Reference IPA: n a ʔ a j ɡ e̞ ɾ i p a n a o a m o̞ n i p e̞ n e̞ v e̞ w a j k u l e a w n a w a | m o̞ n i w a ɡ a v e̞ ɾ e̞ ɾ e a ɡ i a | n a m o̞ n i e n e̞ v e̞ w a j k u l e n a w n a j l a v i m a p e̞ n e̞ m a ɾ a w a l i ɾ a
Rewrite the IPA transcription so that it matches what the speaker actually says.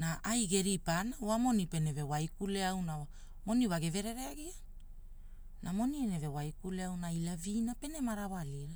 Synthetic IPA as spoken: n a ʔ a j ɡ e̞ ɾ i p a n a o a m o̞ n i p e̞ n e̞ v e̞ w a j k u l e a w n a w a | m o̞ n i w a ɡ e v e̞ ɾ e̞ ɾ e a ɡ i a | n a m o̞ n i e n e̞ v e̞ w a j k u l e a w n a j l a v i n a p e̞ n e̞ m a ɾ a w a l i ɾ a